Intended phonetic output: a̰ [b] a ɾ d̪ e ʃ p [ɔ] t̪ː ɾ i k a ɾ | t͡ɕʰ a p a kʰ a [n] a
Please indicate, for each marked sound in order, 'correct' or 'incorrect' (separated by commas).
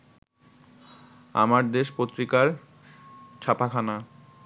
incorrect, incorrect, correct